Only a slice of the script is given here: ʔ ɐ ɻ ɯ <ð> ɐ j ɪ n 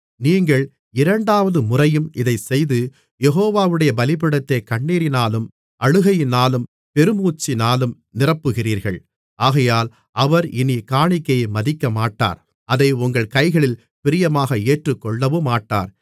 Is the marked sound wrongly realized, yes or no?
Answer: yes